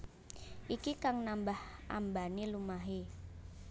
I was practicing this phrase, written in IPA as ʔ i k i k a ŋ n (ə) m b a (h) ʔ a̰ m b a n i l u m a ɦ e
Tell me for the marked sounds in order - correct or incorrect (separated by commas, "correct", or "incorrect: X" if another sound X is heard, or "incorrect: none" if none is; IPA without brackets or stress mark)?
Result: incorrect: a, correct